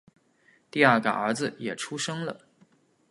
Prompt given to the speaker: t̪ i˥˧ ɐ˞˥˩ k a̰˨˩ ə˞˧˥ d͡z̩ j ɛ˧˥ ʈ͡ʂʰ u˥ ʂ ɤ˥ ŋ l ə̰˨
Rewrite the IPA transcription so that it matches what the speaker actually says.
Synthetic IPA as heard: t̪ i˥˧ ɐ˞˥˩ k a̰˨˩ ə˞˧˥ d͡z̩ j ɛ˨˩ ʈ͡ʂʰ u˥ ʂ ɤ˥ ŋ l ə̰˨